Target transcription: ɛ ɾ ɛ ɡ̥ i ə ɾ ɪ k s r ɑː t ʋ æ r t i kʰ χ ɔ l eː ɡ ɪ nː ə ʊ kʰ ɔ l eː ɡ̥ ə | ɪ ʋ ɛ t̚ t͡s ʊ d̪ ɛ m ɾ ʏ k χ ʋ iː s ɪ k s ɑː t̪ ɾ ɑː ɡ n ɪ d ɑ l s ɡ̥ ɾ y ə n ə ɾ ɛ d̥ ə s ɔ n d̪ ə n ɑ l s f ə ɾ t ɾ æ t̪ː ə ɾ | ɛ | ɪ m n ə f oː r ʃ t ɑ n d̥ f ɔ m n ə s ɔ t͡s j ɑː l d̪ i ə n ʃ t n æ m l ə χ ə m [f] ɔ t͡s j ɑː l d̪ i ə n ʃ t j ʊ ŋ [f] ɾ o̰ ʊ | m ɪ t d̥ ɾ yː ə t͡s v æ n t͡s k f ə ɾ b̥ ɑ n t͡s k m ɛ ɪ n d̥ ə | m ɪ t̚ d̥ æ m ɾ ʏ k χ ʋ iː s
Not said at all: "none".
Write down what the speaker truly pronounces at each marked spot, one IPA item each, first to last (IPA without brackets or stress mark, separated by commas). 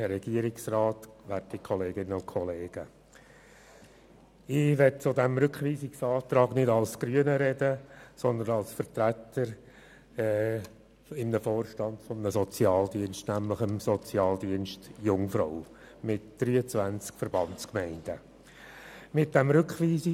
s, f